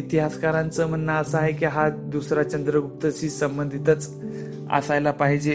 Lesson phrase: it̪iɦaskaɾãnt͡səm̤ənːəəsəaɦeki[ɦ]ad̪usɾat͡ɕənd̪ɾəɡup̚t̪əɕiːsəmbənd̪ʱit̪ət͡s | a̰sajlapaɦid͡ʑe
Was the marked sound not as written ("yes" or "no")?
no